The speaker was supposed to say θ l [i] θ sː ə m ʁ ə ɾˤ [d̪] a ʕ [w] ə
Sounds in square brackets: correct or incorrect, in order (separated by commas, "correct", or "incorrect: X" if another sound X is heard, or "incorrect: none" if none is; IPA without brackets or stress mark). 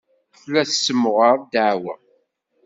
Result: incorrect: æ, correct, correct